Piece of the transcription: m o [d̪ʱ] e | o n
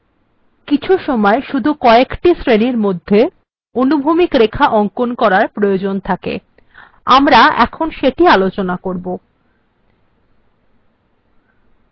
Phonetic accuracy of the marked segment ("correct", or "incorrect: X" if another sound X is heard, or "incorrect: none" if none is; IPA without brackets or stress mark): incorrect: d̪ʱː